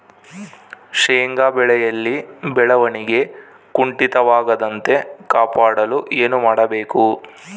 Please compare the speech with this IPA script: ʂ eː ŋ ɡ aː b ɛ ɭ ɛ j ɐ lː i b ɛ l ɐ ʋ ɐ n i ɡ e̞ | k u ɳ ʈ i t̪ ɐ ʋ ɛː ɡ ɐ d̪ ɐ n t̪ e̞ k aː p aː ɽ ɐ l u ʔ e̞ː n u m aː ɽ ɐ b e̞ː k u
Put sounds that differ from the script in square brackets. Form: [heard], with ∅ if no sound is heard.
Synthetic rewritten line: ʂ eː ŋ ɡ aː b ɛ ɭ ɛ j ɐ lː i b ɛ [ɭ] ɐ ʋ ɐ n i ɡ e̞ | k u ɳ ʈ i t̪ ɐ ʋ [aː] ɡ ɐ d̪ ɐ n t̪ e̞ k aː p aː ɽ ɐ l u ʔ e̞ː n u m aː ɽ ɐ b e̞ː k u

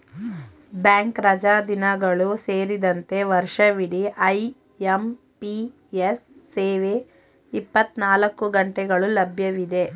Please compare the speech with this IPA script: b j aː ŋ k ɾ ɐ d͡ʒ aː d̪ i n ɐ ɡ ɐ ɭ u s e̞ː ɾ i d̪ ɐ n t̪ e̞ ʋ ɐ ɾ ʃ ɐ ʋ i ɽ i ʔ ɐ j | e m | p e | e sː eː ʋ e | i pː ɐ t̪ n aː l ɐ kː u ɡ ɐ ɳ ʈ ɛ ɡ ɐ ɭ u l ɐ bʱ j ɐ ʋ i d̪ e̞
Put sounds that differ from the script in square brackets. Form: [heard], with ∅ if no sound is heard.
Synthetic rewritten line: b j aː ŋ k ɾ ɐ d͡ʒ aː d̪ i n ɐ ɡ ɐ ɭ u s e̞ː ɾ i d̪ ɐ n t̪ e̞ ʋ ɐ ɾ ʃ ɐ ʋ i ɽ i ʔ ɐ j | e m | p [i] | e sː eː ʋ e | i pː ɐ t̪ n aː l ɐ kː u ɡ ɐ ɳ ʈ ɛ ɡ ɐ ɭ u l ɐ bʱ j ɐ ʋ i d̪ e̞

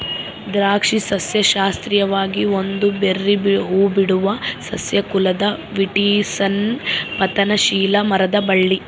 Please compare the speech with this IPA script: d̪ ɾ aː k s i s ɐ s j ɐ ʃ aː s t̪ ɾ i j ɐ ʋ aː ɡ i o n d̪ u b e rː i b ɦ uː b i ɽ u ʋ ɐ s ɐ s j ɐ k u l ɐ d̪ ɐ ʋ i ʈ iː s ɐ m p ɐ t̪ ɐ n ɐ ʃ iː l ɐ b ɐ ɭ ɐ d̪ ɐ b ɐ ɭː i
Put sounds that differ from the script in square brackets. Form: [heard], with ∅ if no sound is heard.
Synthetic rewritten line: d̪ ɾ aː k [ʂ] i s ɐ s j ɐ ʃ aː s t̪ ɾ i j ɐ ʋ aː ɡ i o n d̪ u b e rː i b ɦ uː b i ɽ u ʋ ɐ s ɐ s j ɐ k u l ɐ d̪ ɐ ʋ i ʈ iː s ɐ [n] p ɐ t̪ ɐ n ɐ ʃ iː l ɐ [m] ɐ [ɾ] ɐ d̪ ɐ b ɐ ɭː i

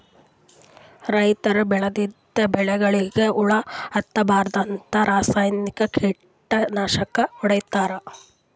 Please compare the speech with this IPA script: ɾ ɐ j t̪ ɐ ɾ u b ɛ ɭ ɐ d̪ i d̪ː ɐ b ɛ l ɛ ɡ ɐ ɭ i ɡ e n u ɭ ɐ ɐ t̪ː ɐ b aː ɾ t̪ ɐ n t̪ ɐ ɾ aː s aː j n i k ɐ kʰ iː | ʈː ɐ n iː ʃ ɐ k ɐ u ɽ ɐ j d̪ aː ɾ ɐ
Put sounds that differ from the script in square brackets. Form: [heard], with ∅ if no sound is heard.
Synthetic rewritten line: ɾ ɐ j t̪ ɐ ɾ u b ɛ ɭ ɐ d̪ i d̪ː ɐ b ɛ [ɭ] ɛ ɡ ɐ ɭ i ɡ e [∅] u ɭ ɐ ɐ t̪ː ɐ b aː ɾ [d̪] ɐ n t̪ ɐ ɾ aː s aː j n i k ɐ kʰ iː | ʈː ɐ n [aː] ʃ ɐ k ɐ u ɽ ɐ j [t̪] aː ɾ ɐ

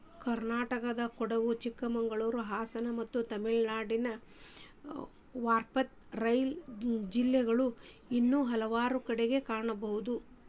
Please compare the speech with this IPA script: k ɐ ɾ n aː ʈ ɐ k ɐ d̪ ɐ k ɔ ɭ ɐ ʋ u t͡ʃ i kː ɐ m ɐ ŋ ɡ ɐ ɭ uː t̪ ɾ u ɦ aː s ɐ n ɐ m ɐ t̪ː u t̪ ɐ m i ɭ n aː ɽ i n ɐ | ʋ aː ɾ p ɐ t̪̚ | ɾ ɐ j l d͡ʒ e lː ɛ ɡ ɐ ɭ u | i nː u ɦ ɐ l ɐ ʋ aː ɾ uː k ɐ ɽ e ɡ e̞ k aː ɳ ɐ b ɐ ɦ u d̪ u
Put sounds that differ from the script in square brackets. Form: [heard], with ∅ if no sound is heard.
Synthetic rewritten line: k ɐ ɾ n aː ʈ ɐ k ɐ d̪ ɐ k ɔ [ɽ] ɐ ʋ u t͡ʃ i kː ɐ m ɐ ŋ ɡ ɐ ɭ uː [∅] ɾ u ɦ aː s ɐ n ɐ m ɐ t̪ː u t̪ ɐ m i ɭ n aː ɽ i n ɐ | ʋ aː ɾ p ɐ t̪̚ | ɾ ɐ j l d͡ʒ [i] lː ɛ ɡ ɐ ɭ u | i nː u ɦ ɐ l ɐ ʋ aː ɾ [u] k ɐ ɽ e ɡ e̞ k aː ɳ ɐ b ɐ ɦ u d̪ u

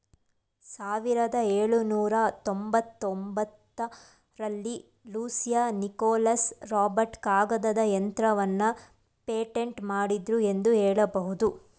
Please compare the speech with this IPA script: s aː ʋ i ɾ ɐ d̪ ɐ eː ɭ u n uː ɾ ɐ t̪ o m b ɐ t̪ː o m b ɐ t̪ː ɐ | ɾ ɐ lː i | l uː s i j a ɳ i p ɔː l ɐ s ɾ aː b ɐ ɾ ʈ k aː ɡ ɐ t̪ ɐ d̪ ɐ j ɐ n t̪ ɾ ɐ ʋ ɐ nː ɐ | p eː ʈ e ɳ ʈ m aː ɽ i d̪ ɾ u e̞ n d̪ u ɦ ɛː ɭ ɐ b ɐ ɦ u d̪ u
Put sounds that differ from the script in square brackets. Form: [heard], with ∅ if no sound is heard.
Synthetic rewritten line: s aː ʋ i ɾ ɐ d̪ ɐ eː ɭ u n uː ɾ ɐ t̪ o m b ɐ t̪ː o m b ɐ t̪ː ɐ | ɾ ɐ lː i | l uː s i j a [n] i [k] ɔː l ɐ s ɾ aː b ɐ ɾ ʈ k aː ɡ ɐ [d̪] ɐ d̪ ɐ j ɐ n t̪ ɾ ɐ ʋ ɐ nː ɐ | p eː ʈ e ɳ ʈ m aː ɽ i d̪ ɾ u e̞ n d̪ u ɦ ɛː ɭ ɐ b ɐ ɦ u d̪ u

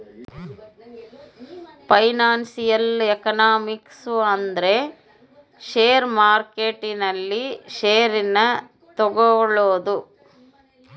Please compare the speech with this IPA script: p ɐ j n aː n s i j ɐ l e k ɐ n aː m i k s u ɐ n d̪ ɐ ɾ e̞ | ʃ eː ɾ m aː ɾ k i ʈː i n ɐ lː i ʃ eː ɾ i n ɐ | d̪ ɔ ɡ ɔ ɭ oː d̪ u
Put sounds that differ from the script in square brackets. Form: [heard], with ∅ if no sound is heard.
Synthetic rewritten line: p ɐ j n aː n s i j ɐ l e k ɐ n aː m i k s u ɐ n d̪ ɐ ɾ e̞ | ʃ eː ɾ m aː ɾ k [e] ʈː i n ɐ lː i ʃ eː ɾ i n ɐ | [t̪] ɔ ɡ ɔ ɭ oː d̪ u

